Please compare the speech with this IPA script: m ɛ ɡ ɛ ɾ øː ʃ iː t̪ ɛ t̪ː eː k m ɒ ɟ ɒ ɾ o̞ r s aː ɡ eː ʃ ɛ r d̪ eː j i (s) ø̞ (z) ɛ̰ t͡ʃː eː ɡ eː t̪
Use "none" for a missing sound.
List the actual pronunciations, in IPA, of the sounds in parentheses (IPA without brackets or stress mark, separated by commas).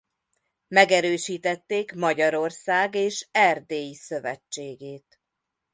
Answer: s, v